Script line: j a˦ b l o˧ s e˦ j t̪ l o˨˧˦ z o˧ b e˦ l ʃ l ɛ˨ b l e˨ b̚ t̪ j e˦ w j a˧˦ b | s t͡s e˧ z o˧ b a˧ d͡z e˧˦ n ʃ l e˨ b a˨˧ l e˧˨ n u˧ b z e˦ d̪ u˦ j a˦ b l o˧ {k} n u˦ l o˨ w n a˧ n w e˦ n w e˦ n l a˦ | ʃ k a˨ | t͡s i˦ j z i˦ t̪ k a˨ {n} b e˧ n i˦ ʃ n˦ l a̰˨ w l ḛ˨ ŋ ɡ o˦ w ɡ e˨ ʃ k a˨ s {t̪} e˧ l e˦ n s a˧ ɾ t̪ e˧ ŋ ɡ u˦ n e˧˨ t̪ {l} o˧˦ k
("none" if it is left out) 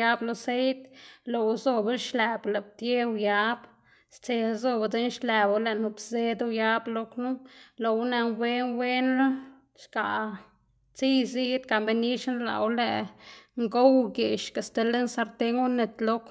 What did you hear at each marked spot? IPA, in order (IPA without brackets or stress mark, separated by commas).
k, m, t̪, l